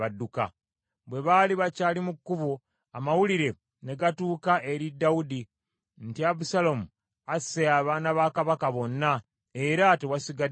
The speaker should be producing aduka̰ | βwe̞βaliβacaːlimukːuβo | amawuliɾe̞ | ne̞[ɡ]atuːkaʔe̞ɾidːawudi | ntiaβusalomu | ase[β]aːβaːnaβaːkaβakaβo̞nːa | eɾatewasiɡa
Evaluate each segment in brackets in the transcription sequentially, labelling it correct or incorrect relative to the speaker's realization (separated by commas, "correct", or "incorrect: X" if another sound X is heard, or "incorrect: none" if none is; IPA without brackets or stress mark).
correct, incorrect: none